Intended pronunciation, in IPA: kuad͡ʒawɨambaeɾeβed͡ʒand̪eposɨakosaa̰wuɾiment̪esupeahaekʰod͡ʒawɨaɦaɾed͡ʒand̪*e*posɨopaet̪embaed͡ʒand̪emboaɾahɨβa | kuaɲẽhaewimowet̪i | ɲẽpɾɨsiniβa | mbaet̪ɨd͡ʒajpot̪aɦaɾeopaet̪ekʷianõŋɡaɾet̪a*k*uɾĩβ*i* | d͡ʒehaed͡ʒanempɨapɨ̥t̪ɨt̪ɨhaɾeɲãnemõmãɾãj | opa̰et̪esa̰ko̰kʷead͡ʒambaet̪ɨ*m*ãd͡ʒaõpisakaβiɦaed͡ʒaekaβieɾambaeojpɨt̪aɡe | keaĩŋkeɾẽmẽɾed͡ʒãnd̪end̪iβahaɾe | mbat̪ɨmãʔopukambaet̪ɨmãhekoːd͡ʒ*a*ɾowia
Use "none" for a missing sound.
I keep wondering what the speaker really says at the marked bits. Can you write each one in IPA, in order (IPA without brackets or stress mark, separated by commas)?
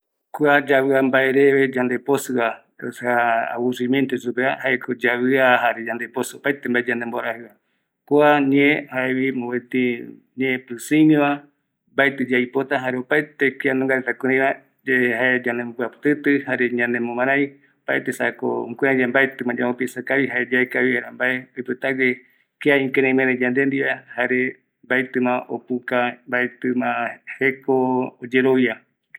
e, k, a, m, e